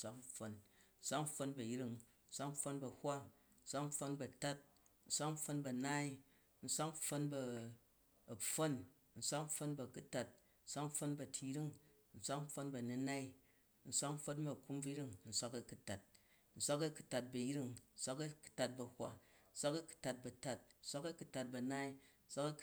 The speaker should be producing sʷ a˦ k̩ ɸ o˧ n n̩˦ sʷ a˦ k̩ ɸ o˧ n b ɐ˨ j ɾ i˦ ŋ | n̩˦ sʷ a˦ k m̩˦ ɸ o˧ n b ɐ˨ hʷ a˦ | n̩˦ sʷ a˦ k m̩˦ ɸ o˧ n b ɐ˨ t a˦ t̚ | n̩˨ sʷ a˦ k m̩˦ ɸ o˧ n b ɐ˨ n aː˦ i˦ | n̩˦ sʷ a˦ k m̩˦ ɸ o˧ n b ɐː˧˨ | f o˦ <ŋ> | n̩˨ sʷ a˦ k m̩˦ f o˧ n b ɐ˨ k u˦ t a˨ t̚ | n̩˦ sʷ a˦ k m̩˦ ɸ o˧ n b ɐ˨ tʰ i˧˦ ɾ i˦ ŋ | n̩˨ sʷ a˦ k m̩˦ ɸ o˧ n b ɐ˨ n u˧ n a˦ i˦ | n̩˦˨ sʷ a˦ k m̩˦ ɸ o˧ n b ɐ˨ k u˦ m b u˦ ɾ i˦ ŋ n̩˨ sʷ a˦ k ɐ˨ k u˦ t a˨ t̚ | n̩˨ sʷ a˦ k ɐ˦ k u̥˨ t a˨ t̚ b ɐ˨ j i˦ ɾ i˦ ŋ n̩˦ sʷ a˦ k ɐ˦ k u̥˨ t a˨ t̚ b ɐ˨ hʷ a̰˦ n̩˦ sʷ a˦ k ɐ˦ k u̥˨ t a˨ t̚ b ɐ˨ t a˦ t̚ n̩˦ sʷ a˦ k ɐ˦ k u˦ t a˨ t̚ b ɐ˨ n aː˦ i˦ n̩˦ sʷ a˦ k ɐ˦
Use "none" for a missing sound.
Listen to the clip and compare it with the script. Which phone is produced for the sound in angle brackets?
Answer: n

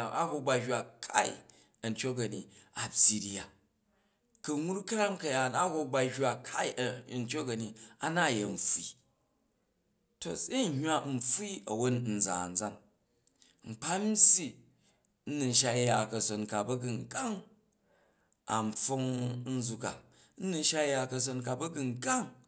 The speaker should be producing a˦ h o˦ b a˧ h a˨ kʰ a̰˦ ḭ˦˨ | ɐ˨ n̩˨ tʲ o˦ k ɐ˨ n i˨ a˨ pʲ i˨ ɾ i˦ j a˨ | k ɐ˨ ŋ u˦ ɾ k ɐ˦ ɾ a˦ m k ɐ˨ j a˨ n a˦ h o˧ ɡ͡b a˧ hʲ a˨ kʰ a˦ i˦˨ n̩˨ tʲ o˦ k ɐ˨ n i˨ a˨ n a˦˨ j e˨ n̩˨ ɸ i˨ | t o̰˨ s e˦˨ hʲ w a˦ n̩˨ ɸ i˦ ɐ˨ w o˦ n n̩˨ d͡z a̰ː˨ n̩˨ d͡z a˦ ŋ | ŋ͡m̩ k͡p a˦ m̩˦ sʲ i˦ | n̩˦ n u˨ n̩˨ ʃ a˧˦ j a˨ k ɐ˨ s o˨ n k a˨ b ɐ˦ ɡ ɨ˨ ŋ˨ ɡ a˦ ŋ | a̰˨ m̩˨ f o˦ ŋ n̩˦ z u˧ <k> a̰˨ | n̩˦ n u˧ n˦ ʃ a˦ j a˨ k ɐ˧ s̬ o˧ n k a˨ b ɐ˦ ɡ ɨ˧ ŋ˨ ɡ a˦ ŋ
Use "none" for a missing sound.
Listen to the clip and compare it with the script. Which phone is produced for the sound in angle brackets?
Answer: k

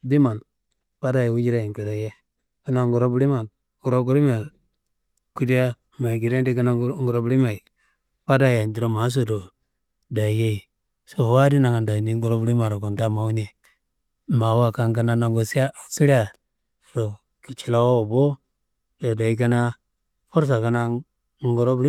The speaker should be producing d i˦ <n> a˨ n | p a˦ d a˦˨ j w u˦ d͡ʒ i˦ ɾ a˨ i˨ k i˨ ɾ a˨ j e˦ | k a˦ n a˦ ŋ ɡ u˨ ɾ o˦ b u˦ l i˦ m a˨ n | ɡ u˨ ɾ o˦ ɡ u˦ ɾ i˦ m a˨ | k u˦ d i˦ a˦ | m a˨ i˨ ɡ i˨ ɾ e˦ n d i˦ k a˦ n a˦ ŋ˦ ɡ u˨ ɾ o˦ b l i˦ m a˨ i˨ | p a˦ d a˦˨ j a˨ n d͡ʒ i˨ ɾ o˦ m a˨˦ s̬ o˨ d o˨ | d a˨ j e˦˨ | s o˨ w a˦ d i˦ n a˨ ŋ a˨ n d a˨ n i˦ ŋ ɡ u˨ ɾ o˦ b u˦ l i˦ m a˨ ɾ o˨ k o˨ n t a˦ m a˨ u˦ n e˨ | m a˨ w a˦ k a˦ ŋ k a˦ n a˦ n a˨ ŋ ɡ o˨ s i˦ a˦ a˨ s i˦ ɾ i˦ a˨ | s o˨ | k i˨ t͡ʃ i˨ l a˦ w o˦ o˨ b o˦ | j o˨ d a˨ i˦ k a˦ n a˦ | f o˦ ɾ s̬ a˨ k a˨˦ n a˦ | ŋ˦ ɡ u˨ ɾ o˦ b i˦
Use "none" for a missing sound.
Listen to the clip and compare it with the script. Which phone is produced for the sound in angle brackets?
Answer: m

